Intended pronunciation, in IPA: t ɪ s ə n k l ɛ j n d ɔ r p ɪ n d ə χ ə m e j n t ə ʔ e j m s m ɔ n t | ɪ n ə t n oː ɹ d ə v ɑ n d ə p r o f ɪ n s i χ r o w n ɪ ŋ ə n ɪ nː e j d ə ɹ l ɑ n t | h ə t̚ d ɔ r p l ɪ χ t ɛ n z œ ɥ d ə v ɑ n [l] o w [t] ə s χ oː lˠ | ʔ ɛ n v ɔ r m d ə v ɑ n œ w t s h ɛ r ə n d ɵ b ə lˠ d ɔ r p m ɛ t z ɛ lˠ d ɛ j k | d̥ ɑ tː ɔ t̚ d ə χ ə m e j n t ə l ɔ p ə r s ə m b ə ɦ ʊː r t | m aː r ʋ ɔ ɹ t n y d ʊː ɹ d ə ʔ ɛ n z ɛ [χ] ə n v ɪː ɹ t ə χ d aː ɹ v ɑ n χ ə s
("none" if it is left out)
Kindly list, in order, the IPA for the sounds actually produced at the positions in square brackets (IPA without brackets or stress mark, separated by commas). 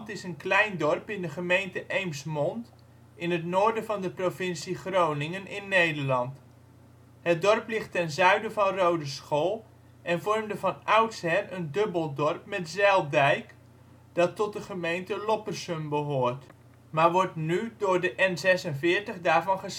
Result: r, d, s